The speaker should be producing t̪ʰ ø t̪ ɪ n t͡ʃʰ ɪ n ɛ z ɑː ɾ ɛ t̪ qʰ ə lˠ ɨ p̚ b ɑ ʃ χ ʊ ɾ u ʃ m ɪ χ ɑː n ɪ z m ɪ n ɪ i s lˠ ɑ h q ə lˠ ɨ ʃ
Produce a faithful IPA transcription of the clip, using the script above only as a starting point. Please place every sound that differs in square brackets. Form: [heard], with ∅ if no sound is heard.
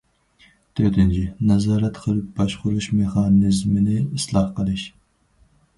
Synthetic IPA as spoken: t̪ʰ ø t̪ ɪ n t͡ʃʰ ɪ n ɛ z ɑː ɾ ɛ t̪ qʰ ə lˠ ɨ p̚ b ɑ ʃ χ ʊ ɾ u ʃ m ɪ χ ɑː n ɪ z m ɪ n ɪ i s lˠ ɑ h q ə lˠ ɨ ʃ